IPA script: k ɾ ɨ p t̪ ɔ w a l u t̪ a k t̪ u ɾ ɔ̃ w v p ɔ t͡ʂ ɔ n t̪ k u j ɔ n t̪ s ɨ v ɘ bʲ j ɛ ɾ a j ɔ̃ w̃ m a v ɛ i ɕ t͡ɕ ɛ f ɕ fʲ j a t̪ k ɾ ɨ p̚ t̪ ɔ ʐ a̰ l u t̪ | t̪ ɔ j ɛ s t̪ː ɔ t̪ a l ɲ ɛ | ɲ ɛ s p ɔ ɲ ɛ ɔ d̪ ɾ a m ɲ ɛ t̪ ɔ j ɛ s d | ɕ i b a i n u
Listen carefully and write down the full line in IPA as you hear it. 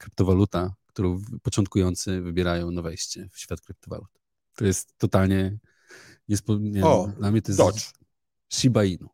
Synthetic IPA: k ɾ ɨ p t̪ ɔ v a l u t̪ a k t̪ u ɾ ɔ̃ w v p ɔ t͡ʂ ɔ n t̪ k u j ɔ n t̪ s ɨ v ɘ bʲ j ɛ ɾ a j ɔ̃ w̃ n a v ɛ j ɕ t͡ɕ ɛ f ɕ fʲ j a t̪ k ɾ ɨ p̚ t̪ ɔ v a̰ l u t̪ | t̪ ɔ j ɛ s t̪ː ɔ t̪ a l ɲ ɛ | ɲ ɛ s p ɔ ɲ ɛ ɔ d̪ l a m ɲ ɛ t̪ ɔ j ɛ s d | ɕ i b a i n u